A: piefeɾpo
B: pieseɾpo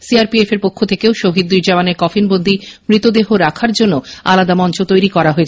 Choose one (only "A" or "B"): A